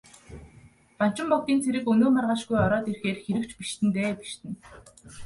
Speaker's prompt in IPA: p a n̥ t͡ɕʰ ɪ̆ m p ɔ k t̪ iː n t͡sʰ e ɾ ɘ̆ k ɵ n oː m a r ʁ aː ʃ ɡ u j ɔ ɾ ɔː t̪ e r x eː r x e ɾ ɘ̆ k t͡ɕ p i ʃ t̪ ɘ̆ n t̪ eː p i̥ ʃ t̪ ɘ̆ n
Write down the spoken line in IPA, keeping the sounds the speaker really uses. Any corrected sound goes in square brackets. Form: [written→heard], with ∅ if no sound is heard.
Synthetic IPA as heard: p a n̥ [t͡ɕʰ→t͡ɕ] ɪ̆ m p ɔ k t̪ iː n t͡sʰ e ɾ ɘ̆ k ɵ n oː m a r ʁ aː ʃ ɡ u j ɔ ɾ ɔː t̪ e r x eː r x e ɾ ɘ̆ k t͡ɕ p i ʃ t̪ ɘ̆ n t̪ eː p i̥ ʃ t̪ ɘ̆ n